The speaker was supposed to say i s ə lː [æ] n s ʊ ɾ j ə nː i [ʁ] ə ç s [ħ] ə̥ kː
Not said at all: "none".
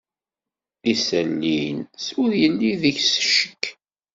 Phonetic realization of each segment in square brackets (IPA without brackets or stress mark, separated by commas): i, ð, ʃ